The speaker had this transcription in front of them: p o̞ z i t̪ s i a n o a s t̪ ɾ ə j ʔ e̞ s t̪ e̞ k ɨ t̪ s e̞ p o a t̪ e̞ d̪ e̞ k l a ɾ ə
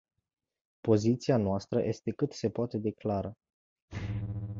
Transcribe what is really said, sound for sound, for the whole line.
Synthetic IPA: p o̞ z i t̪ s i a n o a s t̪ ɾ ə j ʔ e̞ s t̪ e̞ k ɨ t̪ s e̞ p o a t̪ e̞ d̪ e̞ k l a ɾ ə